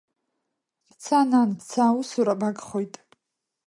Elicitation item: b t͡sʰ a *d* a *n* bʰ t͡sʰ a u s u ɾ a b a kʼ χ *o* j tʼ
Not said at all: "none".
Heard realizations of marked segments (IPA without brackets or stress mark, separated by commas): n, n, o